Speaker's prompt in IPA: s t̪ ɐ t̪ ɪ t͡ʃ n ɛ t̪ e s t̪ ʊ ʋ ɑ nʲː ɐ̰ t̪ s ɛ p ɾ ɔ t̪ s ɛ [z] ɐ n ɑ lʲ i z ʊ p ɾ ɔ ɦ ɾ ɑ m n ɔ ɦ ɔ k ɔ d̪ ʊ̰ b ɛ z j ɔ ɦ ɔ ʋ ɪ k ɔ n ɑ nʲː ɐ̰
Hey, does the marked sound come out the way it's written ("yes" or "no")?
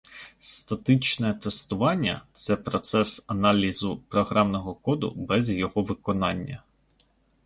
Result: no